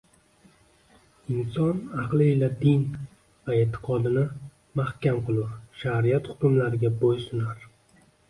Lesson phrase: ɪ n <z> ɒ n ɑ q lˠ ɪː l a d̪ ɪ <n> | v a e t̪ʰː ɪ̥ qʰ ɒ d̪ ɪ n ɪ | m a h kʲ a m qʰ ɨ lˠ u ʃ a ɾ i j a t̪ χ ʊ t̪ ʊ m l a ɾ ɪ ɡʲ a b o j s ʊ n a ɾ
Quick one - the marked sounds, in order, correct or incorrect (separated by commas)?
incorrect, correct